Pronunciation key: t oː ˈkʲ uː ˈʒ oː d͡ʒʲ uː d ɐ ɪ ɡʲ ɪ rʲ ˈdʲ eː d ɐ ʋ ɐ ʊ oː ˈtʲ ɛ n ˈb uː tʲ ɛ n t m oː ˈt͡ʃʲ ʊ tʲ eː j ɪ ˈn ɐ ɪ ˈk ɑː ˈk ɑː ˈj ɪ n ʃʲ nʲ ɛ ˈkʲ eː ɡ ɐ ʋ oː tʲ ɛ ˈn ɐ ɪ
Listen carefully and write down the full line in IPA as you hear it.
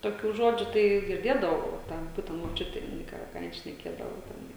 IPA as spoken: t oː ˈkʲ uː ˈʒ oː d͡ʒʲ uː t ɐ ɪ ɡʲ ɪ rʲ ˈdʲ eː d ɐ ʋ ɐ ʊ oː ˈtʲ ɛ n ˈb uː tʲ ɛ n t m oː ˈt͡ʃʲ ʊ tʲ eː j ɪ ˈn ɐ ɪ ˈk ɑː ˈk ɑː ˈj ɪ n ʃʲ nʲ ɛ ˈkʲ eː d ɐ ʋ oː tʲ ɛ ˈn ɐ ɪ